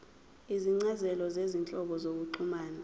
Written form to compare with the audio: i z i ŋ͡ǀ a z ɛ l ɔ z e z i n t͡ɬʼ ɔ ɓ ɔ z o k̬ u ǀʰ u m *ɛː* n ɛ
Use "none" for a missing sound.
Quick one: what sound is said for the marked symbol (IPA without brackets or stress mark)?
aː